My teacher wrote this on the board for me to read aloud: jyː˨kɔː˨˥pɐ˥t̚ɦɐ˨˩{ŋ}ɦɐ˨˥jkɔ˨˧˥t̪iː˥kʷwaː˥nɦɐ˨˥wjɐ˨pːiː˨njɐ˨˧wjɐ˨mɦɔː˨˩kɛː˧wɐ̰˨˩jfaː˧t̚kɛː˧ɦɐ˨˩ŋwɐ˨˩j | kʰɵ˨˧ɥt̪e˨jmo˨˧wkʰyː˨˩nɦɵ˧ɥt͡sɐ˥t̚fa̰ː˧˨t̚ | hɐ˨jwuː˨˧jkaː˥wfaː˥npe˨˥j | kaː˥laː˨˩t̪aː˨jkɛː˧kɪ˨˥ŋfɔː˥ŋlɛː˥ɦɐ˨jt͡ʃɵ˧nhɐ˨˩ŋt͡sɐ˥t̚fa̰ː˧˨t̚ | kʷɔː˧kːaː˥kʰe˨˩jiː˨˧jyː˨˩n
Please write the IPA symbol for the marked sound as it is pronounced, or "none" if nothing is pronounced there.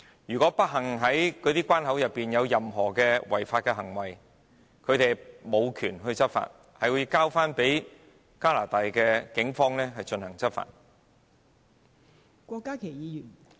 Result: ŋ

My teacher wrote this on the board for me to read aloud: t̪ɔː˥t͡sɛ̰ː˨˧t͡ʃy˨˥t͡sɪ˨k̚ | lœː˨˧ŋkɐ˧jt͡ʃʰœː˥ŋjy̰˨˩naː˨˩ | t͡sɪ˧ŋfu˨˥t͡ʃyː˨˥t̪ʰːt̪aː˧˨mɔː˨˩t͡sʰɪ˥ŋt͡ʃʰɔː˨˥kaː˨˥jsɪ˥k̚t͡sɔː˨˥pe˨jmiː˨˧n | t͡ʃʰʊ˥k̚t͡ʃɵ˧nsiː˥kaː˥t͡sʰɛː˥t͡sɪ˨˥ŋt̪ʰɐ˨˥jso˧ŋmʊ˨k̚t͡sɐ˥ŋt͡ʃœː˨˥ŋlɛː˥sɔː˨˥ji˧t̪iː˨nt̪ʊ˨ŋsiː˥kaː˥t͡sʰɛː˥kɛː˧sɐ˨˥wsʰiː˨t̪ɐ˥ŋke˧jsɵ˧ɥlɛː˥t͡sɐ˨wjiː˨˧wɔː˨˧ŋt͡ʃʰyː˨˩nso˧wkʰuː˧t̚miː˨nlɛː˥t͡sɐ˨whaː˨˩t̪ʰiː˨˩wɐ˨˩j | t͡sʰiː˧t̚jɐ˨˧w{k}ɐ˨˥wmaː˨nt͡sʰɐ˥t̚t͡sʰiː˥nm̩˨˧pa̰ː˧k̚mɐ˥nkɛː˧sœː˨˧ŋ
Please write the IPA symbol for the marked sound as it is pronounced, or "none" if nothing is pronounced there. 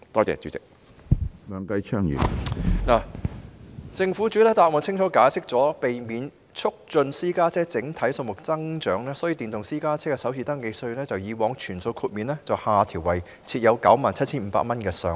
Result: k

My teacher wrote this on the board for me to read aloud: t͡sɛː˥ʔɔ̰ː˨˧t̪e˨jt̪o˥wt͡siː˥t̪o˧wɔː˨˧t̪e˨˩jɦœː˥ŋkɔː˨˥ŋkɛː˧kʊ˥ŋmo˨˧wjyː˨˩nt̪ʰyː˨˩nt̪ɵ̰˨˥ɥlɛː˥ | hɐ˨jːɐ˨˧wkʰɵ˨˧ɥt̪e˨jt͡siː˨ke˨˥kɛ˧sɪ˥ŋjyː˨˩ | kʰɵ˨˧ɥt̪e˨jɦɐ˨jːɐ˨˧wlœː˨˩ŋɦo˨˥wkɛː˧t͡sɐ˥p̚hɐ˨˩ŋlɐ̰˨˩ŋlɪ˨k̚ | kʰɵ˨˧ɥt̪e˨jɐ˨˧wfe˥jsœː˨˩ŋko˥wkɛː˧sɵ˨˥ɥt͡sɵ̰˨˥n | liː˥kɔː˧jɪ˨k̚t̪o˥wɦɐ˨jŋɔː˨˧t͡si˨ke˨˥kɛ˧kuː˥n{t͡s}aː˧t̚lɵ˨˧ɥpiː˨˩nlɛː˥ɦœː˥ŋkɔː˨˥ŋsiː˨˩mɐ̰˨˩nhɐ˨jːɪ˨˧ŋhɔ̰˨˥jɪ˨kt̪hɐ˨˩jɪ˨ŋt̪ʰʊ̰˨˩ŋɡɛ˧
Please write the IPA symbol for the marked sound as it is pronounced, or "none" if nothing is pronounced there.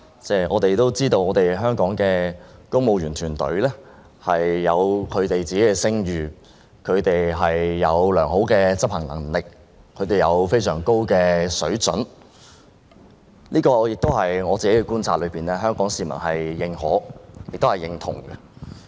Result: t͡sʰ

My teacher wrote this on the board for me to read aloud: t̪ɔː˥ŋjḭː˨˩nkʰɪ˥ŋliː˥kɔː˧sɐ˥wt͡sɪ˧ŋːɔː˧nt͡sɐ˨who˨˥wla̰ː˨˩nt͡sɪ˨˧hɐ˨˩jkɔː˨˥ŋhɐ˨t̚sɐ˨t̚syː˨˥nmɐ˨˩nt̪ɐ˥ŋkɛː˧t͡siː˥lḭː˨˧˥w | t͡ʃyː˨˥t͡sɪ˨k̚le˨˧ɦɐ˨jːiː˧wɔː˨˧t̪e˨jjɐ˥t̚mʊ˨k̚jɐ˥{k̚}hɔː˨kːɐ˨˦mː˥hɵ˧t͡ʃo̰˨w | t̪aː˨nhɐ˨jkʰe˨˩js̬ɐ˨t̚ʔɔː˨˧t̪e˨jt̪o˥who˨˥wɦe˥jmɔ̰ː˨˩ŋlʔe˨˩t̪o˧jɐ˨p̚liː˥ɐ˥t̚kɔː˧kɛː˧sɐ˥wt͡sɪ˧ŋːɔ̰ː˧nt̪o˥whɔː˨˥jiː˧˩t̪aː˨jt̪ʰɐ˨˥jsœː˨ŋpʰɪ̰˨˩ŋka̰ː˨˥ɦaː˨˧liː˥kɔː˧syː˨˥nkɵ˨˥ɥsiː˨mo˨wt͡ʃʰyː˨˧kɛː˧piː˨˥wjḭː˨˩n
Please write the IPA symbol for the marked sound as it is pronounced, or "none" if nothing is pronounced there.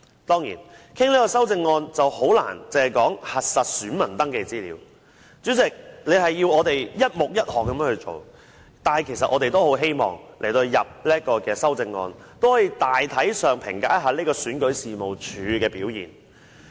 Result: t̚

